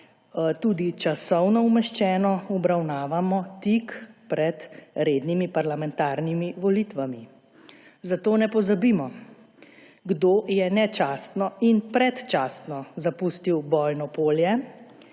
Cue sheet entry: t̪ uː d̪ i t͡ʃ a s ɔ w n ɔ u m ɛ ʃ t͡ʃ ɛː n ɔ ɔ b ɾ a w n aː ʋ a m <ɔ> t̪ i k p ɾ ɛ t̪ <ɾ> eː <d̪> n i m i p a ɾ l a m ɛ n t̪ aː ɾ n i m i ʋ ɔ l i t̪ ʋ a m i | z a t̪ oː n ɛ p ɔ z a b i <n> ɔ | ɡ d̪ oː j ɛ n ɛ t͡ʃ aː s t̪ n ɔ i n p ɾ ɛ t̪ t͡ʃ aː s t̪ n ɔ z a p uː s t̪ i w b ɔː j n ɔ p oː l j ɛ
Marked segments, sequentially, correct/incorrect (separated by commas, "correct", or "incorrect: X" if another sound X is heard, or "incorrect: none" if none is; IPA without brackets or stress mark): correct, correct, correct, incorrect: m